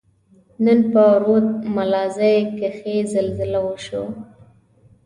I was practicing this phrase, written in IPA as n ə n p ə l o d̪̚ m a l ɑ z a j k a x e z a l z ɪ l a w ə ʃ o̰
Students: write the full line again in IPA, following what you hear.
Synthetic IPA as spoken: n ə n p ə ɾ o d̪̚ m a l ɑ z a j k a x e z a l z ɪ l a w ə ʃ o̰